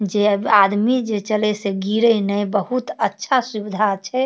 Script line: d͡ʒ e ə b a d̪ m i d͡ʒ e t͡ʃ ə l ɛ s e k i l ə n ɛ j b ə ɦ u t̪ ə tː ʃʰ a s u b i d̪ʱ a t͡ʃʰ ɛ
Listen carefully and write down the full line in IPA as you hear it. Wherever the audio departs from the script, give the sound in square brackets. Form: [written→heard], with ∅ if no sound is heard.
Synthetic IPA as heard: d͡ʒ e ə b a d̪ m i d͡ʒ e t͡ʃ ə l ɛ s e [k→ɡ] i [l→ɾ] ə n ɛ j b ə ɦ u t̪ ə tː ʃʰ a s u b i d̪ʱ a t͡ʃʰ ɛ